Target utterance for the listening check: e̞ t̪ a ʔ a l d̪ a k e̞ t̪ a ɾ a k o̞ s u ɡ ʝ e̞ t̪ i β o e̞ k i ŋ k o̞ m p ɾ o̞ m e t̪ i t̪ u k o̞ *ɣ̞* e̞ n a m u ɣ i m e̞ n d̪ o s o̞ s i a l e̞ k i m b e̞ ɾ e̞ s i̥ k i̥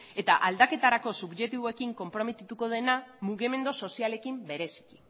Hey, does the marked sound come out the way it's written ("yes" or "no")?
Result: no